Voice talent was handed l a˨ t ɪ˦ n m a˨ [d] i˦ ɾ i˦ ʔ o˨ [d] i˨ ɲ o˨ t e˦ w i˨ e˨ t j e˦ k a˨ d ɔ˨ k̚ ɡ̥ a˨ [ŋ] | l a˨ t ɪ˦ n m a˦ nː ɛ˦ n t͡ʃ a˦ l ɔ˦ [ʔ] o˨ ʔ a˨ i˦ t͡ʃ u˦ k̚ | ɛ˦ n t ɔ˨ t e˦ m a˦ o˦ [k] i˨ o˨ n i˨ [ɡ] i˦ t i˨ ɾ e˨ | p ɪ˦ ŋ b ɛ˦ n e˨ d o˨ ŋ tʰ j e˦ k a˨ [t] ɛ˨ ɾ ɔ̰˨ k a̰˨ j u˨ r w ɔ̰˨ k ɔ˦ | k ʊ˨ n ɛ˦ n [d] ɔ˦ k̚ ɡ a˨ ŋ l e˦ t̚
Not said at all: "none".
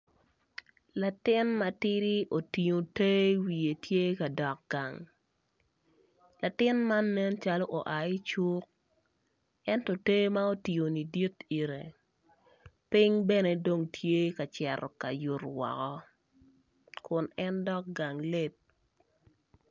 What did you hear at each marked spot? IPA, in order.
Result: t, t, ŋ, ʔ, t, d, t͡ʃ, d

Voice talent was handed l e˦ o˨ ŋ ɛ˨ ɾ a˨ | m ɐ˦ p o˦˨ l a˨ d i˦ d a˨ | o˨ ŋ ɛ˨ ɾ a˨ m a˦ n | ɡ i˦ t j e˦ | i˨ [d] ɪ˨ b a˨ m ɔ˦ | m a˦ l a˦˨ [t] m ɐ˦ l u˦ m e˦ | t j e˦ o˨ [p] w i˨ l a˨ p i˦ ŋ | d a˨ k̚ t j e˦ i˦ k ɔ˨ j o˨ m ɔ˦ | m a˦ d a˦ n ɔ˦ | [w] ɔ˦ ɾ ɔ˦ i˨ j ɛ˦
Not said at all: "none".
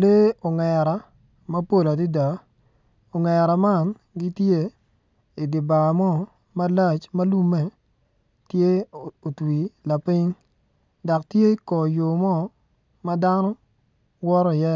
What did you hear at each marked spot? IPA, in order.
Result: d, t͡ʃ, t, w

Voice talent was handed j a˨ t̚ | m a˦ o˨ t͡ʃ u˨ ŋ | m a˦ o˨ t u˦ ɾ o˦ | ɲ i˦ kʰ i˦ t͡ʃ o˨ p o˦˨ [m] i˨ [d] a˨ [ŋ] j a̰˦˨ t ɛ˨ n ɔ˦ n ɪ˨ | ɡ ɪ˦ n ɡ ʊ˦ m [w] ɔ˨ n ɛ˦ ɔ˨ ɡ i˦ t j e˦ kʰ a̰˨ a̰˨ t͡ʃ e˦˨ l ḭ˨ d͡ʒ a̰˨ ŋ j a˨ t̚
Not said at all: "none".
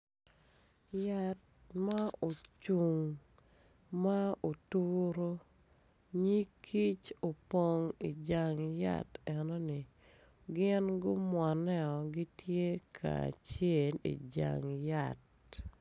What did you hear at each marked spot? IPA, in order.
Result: ŋ, d͡ʒ, ŋ, w

